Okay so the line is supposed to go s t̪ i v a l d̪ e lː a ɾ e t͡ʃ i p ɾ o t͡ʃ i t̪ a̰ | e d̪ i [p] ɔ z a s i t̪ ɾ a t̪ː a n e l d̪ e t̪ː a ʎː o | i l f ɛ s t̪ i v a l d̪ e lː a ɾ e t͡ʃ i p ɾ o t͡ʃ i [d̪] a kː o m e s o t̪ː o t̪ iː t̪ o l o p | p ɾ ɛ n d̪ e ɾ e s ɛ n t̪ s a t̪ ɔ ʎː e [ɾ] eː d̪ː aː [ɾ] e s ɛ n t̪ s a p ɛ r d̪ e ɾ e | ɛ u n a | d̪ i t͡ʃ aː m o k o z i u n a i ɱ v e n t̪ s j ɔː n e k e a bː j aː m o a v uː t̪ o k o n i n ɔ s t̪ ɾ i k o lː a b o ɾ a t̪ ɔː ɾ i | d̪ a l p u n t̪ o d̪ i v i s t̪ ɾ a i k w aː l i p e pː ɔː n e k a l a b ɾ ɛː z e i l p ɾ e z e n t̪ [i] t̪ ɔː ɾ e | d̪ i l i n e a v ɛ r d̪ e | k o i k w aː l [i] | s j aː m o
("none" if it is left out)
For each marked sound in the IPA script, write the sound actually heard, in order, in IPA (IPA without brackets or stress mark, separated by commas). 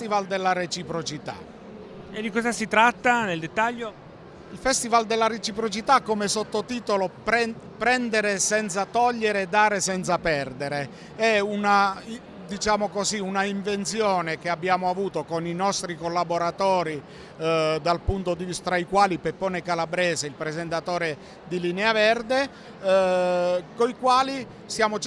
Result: k, t̪, ɾ, ɾ, a, i